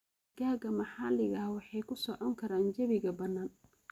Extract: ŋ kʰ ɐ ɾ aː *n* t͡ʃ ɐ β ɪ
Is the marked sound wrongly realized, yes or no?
no